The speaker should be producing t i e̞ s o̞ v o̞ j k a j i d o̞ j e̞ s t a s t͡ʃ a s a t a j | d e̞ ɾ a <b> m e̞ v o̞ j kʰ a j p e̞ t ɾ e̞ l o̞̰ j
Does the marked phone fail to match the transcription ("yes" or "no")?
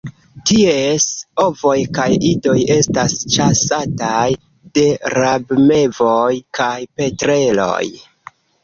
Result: no